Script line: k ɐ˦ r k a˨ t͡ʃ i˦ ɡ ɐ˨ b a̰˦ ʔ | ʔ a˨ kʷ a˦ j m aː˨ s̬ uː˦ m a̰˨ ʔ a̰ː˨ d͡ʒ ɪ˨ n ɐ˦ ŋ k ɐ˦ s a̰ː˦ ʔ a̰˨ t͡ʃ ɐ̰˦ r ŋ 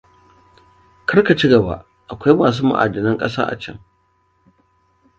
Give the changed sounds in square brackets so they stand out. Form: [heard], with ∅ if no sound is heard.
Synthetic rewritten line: k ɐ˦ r k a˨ t͡ʃ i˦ ɡ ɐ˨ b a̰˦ ʔ | ʔ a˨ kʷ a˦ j m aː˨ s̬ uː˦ m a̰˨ ʔ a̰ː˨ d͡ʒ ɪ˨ n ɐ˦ ŋ [kʼ] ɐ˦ s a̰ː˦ ʔ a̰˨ t͡ʃ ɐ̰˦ [∅] ŋ